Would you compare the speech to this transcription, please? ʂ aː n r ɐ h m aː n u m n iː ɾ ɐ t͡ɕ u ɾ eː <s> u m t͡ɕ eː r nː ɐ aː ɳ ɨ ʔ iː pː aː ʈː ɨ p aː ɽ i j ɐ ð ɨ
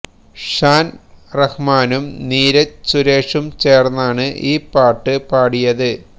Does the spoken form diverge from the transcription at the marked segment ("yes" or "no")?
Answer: yes